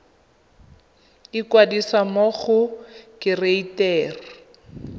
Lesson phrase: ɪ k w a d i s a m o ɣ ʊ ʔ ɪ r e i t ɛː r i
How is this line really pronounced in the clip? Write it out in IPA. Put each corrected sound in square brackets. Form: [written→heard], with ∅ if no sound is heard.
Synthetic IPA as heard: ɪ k w a d i s a m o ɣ ʊ [ʔ→k] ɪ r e i t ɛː r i